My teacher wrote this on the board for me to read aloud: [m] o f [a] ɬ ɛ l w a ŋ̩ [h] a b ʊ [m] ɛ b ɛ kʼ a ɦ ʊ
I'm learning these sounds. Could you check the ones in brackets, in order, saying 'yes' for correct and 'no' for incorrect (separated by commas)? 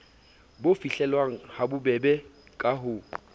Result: no, no, yes, no